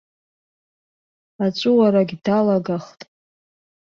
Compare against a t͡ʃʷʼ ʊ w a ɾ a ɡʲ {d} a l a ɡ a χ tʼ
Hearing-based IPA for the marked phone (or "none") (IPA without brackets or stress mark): d